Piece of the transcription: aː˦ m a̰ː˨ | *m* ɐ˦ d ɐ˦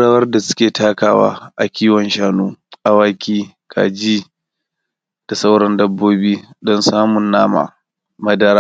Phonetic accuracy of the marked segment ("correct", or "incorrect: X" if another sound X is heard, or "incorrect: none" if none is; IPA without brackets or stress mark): correct